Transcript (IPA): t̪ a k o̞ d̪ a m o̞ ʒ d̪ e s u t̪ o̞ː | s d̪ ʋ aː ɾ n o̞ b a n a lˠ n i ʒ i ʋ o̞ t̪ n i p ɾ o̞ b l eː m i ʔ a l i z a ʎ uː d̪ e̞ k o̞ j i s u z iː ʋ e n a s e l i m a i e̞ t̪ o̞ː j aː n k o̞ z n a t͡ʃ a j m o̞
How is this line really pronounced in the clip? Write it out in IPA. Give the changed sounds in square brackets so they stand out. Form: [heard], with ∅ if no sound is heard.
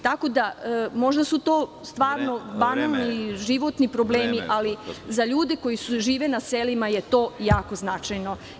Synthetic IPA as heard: t̪ a k o̞ d̪ a m o̞ ʒ d̪ [a] s u t̪ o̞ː | s [t̪] ʋ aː ɾ n o̞ b a n a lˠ n i ʒ i ʋ o̞ t̪ n i p ɾ o̞ b l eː m i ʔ a l i z a ʎ uː d̪ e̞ k o̞ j i s u [ʒ] iː ʋ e n a s e l i m a [j] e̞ t̪ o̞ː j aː [∅] k o̞ z n a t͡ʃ a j [n] o̞